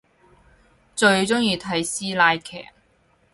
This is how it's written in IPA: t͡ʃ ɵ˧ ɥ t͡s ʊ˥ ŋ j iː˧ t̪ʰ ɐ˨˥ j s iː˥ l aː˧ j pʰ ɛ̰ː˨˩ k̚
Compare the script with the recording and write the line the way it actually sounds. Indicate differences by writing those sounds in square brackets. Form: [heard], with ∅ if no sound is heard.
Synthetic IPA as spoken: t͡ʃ ɵ˧ ɥ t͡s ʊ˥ ŋ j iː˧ t̪ʰ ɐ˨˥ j s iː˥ l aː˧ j [kʰ] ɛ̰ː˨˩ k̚